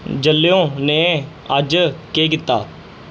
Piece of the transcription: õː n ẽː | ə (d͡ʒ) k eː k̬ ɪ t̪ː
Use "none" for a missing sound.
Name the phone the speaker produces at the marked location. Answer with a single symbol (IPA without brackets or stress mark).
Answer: d͡ʒ